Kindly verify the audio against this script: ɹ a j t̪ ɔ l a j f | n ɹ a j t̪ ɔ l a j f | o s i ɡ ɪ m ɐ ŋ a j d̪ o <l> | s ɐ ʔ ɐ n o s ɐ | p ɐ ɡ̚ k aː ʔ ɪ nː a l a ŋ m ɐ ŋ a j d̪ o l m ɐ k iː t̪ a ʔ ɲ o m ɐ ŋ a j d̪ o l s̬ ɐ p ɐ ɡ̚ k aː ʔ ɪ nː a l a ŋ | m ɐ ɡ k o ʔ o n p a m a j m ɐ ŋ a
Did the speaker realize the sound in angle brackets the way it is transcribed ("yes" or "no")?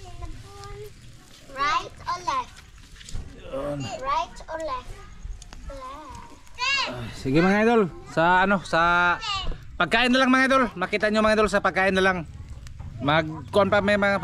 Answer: yes